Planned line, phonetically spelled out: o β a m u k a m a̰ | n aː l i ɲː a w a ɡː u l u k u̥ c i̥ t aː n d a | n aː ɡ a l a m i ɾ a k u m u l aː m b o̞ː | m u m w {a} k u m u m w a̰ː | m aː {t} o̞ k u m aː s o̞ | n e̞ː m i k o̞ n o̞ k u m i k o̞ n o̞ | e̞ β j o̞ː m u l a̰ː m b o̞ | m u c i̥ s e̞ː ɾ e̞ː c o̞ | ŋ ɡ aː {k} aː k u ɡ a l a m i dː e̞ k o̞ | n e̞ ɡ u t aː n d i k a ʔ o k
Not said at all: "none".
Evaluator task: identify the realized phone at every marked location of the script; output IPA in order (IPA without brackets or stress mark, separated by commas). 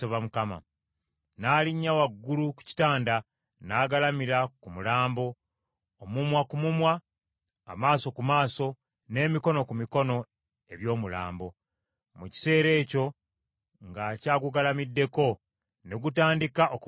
a, s, c